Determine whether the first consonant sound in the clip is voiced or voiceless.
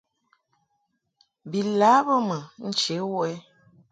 voiced